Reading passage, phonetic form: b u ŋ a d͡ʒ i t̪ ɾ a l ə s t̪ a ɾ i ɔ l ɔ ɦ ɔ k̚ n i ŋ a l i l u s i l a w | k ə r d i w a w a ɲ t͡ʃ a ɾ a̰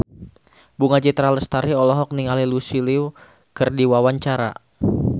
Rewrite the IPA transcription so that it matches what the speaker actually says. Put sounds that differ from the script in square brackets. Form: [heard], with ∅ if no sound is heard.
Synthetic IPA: b u ŋ a d͡ʒ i t̪ ɾ a l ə s t̪ a ɾ i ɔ l ɔ ɦ ɔ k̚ n i ŋ a l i l u s i l [i] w | k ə r d i w a w a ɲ t͡ʃ a ɾ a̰